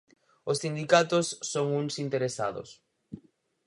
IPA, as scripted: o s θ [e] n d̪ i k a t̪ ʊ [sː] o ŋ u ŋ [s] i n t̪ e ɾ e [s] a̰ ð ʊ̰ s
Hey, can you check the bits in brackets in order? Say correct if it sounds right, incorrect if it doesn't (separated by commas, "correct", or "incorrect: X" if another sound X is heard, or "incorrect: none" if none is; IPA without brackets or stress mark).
incorrect: i, correct, correct, correct